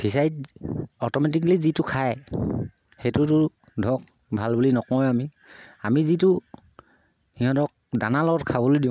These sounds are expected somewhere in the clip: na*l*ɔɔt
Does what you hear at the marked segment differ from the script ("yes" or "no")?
no